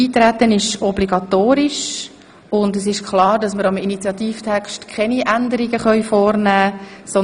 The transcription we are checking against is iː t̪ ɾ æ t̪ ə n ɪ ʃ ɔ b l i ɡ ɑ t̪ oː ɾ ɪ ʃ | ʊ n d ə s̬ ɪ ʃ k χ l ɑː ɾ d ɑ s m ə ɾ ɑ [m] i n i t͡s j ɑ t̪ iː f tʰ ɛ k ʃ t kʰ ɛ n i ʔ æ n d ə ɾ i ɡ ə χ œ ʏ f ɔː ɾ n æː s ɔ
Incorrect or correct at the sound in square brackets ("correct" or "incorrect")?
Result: correct